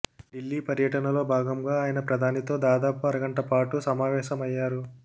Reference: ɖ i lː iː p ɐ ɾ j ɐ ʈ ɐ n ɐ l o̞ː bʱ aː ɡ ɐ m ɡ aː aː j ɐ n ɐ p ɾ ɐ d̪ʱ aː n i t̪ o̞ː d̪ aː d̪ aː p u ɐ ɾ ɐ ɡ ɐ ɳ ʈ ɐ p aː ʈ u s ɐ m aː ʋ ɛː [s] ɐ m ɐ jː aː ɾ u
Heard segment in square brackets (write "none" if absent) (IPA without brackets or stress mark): ʃ